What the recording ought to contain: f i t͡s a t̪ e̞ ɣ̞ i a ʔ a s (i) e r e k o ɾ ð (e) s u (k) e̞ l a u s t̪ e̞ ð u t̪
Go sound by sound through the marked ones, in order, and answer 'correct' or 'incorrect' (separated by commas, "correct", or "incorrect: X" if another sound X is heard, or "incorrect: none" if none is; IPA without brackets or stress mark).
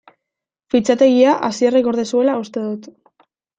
correct, correct, incorrect: none